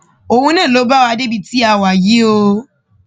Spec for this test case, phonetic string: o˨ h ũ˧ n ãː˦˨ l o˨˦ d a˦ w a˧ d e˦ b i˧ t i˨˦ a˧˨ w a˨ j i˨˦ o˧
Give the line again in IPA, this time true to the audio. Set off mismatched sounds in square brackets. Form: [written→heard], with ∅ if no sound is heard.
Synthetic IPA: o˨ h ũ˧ n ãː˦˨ l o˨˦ [d→b] a˦ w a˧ d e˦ b i˧ t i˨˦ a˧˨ w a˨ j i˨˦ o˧